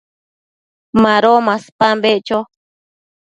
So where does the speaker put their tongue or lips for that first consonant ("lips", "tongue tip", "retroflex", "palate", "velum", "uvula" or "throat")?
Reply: lips